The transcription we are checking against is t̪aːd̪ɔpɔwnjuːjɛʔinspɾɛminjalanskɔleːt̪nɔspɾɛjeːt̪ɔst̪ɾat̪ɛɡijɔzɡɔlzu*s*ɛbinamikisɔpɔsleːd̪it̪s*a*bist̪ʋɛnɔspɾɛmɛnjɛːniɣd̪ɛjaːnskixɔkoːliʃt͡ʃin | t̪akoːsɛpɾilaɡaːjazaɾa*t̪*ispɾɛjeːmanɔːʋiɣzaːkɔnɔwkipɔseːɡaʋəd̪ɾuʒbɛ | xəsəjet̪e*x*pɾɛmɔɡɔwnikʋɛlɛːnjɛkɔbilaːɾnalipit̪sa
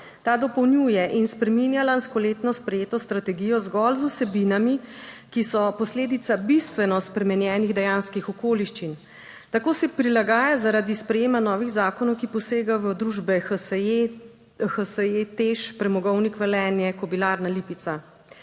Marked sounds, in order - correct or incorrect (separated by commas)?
correct, correct, incorrect, incorrect